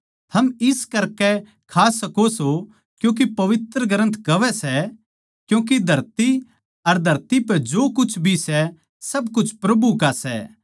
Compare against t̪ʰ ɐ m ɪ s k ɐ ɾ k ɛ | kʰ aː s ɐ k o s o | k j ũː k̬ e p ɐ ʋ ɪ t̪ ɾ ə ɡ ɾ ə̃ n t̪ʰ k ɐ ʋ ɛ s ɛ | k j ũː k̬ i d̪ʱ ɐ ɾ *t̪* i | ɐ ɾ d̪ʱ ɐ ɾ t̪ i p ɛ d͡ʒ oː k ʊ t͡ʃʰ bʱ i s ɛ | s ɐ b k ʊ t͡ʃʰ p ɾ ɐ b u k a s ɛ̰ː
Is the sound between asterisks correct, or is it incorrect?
correct